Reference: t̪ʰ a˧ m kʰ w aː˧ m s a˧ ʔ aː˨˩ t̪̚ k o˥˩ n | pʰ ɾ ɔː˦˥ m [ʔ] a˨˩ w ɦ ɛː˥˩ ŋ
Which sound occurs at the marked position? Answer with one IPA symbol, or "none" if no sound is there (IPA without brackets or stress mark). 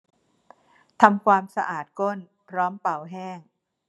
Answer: p